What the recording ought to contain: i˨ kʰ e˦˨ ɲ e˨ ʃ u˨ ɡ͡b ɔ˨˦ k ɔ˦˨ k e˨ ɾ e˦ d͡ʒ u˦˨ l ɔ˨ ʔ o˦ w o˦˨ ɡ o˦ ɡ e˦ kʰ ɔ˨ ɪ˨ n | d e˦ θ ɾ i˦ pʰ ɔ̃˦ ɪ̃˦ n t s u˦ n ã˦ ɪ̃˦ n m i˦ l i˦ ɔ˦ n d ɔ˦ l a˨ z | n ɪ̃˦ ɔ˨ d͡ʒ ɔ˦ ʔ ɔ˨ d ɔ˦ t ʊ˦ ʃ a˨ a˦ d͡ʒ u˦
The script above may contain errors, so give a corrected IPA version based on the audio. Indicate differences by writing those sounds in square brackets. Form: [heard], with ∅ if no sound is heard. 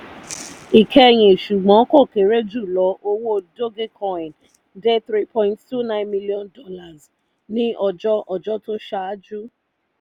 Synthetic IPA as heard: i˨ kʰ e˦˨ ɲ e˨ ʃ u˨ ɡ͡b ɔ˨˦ k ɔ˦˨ k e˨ ɾ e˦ d͡ʒ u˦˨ l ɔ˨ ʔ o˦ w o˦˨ [d] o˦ ɡ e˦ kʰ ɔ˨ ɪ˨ n | d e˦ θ ɾ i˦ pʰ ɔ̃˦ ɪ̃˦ n t [t] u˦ n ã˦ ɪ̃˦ n m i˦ l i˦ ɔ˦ n d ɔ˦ l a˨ z | n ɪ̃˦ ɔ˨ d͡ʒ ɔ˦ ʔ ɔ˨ [d͡ʒ] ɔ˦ t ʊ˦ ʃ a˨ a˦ d͡ʒ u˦